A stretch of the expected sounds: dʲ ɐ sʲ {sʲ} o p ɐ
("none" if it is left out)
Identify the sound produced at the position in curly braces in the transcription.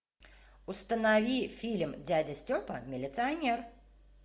tʲ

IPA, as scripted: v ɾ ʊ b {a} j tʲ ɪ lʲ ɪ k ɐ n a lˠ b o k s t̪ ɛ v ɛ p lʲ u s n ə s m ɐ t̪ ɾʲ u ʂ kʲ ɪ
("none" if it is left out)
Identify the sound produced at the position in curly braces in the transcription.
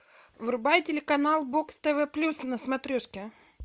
a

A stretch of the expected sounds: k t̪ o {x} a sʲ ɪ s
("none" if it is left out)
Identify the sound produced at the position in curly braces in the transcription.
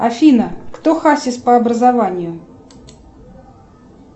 x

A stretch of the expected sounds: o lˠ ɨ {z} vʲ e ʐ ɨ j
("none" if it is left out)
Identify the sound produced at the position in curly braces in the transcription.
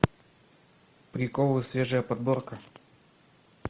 s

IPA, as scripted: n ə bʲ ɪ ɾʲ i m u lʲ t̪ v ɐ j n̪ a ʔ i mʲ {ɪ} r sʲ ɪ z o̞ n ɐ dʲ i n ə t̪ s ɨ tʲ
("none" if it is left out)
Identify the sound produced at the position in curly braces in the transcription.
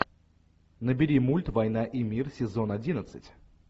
i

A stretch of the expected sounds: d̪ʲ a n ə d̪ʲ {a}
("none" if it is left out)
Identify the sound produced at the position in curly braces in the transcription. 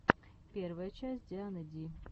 i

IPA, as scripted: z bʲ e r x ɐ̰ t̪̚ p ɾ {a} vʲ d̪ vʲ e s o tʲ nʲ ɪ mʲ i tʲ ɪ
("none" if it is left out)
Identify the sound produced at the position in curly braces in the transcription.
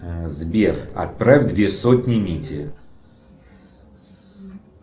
a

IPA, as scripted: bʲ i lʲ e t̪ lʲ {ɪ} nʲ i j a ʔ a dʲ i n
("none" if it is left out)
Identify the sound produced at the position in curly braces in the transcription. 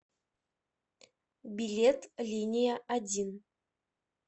i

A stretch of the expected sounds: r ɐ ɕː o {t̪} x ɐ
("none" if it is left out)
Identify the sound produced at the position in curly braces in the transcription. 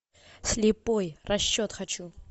t̪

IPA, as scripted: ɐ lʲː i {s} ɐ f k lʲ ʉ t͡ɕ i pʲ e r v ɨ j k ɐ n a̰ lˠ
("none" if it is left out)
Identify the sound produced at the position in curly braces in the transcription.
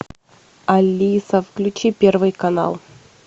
s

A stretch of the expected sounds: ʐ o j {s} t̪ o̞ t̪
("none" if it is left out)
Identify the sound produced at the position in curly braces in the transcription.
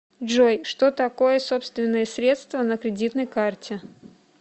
ʂ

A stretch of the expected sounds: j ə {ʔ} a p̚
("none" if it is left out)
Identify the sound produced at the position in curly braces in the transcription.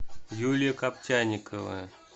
k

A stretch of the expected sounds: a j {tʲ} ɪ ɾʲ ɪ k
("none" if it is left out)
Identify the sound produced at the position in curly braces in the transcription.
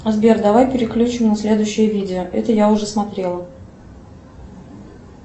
pʲ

